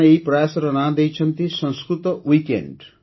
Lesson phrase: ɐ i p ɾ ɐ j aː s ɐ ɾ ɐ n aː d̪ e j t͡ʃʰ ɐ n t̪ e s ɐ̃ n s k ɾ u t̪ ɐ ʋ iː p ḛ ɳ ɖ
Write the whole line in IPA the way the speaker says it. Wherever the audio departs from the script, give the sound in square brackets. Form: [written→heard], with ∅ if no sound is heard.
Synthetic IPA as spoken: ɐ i p ɾ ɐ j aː s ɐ ɾ ɐ n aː d̪ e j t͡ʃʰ ɐ n t̪ [e→i] s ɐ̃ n s k ɾ u t̪ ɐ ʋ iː [p→k] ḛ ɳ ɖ

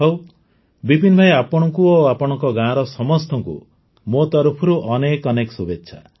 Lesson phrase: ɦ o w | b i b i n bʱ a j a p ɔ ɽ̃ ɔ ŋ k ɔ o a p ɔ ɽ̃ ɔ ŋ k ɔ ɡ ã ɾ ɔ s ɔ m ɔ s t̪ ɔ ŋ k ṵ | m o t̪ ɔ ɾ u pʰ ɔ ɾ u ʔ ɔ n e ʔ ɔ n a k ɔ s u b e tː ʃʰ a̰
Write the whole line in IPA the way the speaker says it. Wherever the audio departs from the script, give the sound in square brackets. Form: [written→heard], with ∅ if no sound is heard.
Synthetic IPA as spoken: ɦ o w | b i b i n bʱ a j a p ɔ ɽ̃ ɔ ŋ k [ɔ→u] o a p ɔ ɽ̃ ɔ ŋ k ɔ ɡ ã ɾ ɔ s ɔ m ɔ s t̪ ɔ ŋ k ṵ | m o t̪ ɔ ɾ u pʰ ɔ ɾ u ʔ ɔ n e [ʔ→k] ɔ n [a→e] k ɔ s u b e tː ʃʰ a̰

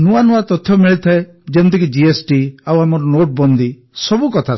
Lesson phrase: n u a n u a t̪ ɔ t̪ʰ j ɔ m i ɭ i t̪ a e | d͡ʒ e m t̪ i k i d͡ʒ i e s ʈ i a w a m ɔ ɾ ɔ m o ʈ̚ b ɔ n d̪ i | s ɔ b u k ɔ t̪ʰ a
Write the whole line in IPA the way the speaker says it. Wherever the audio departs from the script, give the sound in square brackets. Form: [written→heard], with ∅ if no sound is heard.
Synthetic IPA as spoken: n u a n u a t̪ ɔ t̪ʰ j ɔ m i ɭ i [t̪→t̪ʰ] a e | d͡ʒ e [m→n] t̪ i k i d͡ʒ i e s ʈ i a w a m ɔ ɾ ɔ [m→n] o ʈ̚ b ɔ n d̪ i | s ɔ b u k ɔ t̪ʰ a

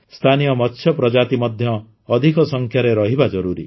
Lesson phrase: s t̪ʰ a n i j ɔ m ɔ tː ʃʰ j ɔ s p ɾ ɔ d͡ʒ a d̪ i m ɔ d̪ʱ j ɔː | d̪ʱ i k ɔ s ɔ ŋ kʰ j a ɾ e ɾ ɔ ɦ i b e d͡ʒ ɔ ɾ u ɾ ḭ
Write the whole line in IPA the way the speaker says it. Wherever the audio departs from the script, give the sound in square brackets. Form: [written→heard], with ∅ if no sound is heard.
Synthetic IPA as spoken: s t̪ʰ a n i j ɔ m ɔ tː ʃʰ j ɔ [s→∅] p ɾ ɔ d͡ʒ a [d̪→t̪] i m ɔ d̪ʱ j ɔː | d̪ʱ i k ɔ s ɔ ŋ kʰ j a ɾ e ɾ ɔ ɦ i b [e→a] d͡ʒ ɔ ɾ u ɾ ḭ

